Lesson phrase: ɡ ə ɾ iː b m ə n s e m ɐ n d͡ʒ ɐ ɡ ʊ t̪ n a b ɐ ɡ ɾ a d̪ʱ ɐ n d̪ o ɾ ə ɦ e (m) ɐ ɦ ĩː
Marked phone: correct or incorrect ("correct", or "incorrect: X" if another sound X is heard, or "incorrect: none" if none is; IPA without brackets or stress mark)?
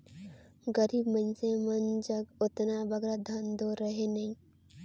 incorrect: n